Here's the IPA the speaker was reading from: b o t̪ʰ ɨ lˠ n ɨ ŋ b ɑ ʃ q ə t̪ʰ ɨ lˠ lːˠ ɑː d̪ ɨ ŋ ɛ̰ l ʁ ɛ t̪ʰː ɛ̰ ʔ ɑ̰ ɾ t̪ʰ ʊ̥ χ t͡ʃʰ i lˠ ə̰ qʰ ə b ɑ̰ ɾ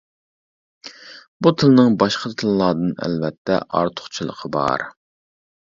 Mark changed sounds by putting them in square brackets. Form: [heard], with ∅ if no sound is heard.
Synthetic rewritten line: b [u] t̪ʰ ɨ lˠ n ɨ ŋ b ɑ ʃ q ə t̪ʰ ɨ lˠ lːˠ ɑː d̪ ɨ [n] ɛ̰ l [v] ɛ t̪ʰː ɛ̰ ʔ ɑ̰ ɾ t̪ʰ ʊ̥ χ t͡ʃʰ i lˠ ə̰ qʰ ə b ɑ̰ ɾ

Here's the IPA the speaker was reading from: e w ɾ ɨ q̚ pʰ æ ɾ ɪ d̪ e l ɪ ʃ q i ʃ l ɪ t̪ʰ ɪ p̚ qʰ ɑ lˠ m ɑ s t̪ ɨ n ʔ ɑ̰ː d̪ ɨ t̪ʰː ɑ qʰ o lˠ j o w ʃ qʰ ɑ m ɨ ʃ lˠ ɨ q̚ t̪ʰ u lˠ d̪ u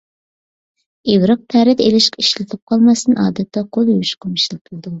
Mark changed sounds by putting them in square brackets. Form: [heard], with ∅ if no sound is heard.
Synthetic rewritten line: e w ɾ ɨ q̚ pʰ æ ɾ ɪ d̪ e l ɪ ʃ q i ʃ l ɪ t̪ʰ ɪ p̚ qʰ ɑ lˠ m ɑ s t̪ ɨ n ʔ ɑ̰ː d̪ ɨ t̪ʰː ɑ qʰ o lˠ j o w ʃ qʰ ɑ m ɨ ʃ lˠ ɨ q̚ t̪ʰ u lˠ d̪ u

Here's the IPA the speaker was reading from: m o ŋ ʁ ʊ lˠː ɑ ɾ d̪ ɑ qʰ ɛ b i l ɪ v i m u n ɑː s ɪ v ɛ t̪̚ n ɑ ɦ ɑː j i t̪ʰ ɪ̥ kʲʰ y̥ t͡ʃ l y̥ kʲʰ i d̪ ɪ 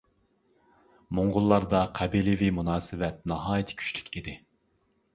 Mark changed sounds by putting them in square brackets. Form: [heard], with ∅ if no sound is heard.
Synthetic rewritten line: m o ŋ ʁ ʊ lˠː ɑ ɾ d̪ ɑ qʰ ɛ b i l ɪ v i m u n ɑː s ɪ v ɛ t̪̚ n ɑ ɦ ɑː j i t̪ʰ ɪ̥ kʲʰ y̥ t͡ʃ l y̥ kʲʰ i d̪ ɪ

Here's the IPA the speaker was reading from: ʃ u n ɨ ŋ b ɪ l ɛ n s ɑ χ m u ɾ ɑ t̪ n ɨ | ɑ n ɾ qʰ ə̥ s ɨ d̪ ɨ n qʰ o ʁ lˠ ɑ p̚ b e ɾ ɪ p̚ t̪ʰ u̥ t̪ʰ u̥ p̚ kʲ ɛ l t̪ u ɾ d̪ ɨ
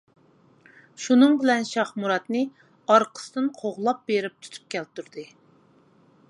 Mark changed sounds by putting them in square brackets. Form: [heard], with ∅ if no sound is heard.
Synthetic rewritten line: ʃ u n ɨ ŋ b ɪ l ɛ n [ʃ] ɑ χ m u ɾ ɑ t̪ n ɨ | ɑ [∅] ɾ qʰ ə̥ s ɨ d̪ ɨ n qʰ o ʁ lˠ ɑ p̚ b e ɾ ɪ p̚ t̪ʰ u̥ t̪ʰ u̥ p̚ kʲ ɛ l t̪ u ɾ d̪ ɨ

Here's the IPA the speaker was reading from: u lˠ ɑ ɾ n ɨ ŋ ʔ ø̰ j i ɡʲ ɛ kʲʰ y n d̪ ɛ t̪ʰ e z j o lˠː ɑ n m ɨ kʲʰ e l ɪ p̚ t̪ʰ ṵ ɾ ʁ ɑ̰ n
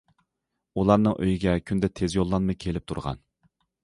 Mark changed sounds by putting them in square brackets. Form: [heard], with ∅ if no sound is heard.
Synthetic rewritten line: u lˠ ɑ ɾ n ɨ ŋ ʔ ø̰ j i ɡʲ ɛ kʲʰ y n d̪ ɛ t̪ʰ e z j o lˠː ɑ n m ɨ kʲʰ e l ɪ p̚ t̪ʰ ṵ ɾ ʁ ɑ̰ n

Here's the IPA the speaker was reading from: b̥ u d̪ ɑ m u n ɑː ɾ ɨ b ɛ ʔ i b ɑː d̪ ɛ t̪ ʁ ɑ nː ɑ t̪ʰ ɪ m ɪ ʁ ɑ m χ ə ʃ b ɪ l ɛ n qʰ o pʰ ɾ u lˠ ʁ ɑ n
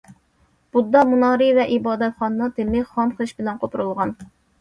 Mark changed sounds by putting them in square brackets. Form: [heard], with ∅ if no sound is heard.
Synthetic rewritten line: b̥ u d̪ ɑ m u n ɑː ɾ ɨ [v] ɛ ʔ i b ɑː d̪ ɛ t̪ [χ] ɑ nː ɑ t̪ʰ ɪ m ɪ [χ] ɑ m χ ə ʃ b ɪ l ɛ n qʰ o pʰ ɾ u lˠ ʁ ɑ n

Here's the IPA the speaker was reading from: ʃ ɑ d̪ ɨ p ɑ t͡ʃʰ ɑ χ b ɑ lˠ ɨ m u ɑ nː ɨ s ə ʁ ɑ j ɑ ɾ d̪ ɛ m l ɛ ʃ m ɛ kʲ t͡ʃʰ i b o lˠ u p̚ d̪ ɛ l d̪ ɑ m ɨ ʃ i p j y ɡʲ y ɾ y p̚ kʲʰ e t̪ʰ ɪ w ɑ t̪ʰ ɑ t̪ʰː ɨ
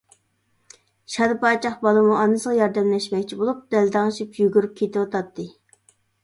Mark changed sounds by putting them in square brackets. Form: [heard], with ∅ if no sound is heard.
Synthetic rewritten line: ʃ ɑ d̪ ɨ p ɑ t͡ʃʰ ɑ χ b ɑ lˠ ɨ m u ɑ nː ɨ s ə ʁ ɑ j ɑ ɾ d̪ ɛ m l ɛ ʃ m ɛ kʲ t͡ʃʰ i b o lˠ u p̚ d̪ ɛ l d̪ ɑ [ŋ] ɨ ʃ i p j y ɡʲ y ɾ y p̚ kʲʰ e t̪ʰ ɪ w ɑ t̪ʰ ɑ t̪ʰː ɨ

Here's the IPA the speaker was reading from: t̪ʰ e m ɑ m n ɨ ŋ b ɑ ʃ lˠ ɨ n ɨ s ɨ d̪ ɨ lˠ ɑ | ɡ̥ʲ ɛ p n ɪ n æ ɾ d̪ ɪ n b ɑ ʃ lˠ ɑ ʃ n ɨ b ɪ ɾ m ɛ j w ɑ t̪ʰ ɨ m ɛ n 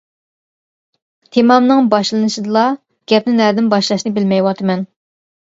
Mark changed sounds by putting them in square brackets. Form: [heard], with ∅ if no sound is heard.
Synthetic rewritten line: t̪ʰ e m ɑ m n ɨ ŋ b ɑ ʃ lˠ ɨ n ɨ [ʃ] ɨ d̪ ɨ lˠ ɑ | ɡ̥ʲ ɛ p n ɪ n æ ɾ d̪ ɪ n b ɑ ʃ lˠ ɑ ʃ n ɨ b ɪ [l] m ɛ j w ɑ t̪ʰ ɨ m ɛ n

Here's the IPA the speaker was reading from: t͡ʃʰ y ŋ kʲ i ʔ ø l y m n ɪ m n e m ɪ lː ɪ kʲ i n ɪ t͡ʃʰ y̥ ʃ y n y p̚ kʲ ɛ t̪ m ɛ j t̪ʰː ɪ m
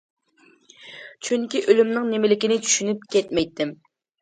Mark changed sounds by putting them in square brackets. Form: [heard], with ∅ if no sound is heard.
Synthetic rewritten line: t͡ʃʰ y ŋ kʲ i ʔ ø l y m n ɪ [ŋ] n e m ɪ [l] ɪ kʲ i n ɪ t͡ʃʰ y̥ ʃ y n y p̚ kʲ ɛ t̪ m ɛ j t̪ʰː ɪ m

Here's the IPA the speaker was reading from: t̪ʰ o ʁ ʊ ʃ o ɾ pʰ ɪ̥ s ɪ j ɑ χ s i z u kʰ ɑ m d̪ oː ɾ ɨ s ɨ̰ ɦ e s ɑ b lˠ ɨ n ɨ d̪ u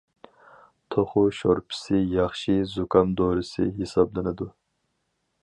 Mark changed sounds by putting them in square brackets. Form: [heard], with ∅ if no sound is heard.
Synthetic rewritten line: t̪ʰ o [χ] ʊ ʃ o ɾ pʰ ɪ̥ s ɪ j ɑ χ [ʃ] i z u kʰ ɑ m d̪ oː ɾ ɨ s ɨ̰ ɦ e s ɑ b lˠ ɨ n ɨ d̪ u

